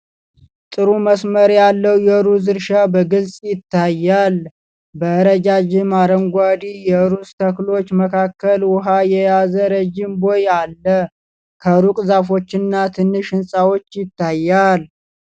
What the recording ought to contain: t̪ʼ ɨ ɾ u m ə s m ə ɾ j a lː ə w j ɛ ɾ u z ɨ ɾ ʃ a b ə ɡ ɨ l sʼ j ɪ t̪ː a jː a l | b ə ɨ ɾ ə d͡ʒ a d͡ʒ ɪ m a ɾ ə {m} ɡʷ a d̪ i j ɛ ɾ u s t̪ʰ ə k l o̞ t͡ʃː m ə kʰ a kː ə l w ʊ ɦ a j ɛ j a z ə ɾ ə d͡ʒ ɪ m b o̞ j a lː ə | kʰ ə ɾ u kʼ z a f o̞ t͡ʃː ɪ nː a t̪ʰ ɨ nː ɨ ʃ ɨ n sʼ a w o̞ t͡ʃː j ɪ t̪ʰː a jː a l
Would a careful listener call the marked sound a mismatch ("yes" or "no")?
yes